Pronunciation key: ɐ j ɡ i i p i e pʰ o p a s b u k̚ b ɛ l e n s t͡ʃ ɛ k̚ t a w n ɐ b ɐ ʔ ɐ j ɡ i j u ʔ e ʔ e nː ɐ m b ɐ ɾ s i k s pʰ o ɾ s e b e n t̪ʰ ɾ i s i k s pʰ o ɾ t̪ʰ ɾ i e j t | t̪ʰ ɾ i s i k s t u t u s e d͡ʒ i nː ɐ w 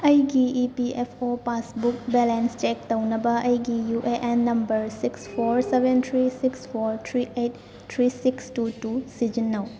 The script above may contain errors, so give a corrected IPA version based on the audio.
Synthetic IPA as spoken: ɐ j ɡ i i p i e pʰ o p a s b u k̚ b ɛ l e n s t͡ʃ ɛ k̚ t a w n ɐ b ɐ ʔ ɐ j ɡ i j u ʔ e ʔ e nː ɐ m b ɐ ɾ s i k s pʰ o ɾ s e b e n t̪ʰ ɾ i s i k s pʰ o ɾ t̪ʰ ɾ i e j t | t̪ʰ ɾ i s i k s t u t u s i d͡ʒ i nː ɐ w